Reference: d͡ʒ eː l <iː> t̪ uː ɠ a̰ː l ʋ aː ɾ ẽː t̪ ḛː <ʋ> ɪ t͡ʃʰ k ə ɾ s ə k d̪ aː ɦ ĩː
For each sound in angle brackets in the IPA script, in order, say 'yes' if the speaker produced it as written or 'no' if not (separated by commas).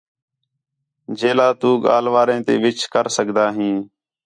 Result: no, yes